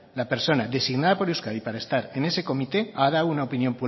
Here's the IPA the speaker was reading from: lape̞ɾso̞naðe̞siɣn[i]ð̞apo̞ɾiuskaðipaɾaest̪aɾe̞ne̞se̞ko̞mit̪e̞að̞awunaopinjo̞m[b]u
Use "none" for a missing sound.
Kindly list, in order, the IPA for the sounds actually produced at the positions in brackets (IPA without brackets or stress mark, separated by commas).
a, p